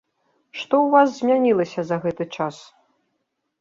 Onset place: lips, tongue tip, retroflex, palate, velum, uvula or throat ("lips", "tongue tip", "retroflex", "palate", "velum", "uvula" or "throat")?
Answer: retroflex